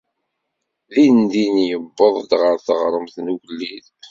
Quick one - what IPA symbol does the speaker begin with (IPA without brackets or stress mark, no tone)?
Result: ð